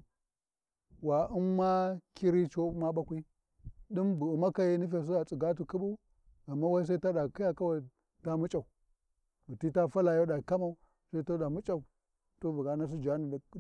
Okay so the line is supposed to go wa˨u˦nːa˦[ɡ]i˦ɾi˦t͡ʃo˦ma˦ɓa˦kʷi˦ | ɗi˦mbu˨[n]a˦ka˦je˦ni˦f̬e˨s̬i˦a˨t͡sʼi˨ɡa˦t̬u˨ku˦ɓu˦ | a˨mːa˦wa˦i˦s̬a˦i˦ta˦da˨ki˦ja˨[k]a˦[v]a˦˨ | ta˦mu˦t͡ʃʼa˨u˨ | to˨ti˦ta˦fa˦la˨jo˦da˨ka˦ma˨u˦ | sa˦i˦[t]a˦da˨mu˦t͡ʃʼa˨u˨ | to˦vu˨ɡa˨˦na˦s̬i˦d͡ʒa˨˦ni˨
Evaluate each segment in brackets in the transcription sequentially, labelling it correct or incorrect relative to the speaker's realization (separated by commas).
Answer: incorrect, incorrect, correct, incorrect, correct